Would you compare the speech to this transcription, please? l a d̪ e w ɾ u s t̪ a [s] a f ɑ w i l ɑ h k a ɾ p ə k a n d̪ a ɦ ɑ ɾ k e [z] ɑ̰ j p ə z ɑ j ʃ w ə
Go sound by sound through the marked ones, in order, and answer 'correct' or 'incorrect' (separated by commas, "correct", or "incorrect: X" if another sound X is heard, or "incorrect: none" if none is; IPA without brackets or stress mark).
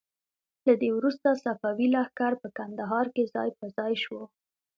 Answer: correct, correct